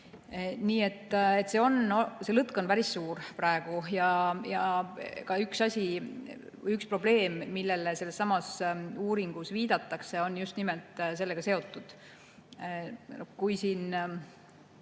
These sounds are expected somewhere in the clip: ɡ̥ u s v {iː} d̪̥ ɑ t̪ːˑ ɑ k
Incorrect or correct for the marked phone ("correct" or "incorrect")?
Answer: correct